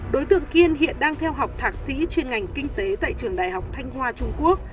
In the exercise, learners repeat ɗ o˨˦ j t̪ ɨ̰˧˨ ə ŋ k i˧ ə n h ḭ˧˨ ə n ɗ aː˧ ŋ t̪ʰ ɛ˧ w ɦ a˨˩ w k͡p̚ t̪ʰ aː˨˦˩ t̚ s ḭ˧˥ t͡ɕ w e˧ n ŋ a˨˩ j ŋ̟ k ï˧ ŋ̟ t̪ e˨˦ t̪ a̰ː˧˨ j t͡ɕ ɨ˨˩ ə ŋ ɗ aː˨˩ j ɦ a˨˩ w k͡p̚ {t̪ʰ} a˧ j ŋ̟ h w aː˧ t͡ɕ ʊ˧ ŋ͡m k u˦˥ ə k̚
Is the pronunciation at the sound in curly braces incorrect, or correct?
correct